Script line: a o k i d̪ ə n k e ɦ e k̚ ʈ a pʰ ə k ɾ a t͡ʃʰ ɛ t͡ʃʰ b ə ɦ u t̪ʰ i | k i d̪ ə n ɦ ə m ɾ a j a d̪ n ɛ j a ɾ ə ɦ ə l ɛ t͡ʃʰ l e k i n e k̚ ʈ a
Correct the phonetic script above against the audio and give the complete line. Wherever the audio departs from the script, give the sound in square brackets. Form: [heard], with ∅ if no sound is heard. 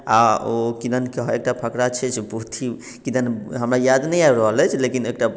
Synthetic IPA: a o k i d̪ ə n k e ɦ e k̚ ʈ a pʰ ə k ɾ a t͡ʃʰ ɛ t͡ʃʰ b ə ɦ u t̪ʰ i | k i d̪ ə n ɦ ə m ɾ a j a d̪ n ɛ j a ɾ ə ɦ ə l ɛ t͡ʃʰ l e k i n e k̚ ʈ a